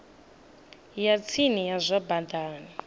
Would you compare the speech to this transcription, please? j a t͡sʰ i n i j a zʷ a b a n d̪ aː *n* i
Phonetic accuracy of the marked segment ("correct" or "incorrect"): correct